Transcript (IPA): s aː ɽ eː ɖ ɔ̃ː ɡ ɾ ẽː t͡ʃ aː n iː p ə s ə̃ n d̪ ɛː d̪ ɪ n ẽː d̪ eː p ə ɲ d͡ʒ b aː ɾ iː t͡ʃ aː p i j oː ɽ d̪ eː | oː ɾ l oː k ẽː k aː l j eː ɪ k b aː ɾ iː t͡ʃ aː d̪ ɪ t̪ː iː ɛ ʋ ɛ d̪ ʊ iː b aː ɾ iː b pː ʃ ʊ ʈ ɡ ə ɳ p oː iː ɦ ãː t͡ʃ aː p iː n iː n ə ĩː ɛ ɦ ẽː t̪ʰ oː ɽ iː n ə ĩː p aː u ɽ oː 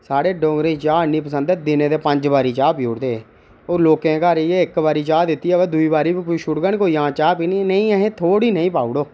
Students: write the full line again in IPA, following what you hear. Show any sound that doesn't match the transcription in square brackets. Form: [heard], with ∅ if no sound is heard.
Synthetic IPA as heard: s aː ɽ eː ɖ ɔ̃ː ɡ ɾ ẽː t͡ʃ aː n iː p ə s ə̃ n d̪ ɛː d̪ ɪ n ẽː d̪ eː p ə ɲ d͡ʒ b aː ɾ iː t͡ʃ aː p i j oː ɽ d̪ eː | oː ɾ l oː k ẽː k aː [ɾ] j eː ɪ k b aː ɾ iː t͡ʃ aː d̪ ɪ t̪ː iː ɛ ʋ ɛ d̪ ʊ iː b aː ɾ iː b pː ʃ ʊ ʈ ɡ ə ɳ [k] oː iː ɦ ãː t͡ʃ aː p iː n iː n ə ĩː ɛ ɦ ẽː t̪ʰ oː ɽ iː n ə ĩː p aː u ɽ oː